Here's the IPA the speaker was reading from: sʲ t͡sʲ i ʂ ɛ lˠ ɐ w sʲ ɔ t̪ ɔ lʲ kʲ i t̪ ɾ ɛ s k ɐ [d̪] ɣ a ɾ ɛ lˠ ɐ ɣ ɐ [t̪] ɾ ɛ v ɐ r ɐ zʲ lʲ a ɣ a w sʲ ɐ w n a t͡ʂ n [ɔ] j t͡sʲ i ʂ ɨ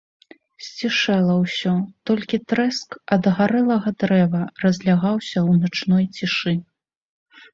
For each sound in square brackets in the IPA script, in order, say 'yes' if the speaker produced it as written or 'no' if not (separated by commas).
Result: yes, no, yes